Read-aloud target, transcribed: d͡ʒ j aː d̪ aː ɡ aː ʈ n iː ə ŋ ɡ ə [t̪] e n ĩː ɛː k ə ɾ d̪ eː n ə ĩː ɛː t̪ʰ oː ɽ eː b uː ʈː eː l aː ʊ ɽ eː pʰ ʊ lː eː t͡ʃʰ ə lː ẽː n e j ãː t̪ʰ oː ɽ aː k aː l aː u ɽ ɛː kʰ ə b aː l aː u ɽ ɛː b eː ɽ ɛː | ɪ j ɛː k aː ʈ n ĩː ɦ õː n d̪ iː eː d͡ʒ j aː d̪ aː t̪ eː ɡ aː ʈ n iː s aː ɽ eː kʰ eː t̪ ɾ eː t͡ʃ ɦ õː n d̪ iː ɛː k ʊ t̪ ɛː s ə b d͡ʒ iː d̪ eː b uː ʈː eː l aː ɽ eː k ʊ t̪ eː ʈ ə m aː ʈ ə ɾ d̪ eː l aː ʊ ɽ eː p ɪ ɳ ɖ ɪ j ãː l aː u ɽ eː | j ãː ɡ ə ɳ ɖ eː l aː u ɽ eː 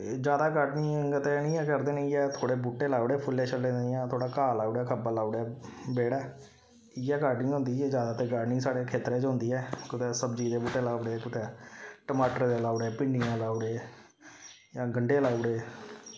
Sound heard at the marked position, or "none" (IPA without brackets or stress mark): t̪